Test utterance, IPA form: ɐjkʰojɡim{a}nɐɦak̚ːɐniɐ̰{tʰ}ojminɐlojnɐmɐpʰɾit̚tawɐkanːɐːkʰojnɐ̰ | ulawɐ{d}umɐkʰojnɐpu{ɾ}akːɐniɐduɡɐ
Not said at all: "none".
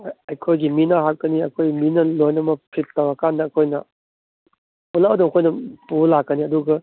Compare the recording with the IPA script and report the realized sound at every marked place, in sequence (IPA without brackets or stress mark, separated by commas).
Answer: i, kʰ, d, l